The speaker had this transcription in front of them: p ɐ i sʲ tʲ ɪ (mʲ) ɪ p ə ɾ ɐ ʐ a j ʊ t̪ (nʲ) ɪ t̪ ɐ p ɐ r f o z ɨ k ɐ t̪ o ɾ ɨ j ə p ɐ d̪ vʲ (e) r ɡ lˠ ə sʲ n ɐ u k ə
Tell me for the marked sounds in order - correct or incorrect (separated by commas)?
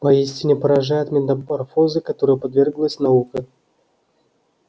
incorrect, incorrect, correct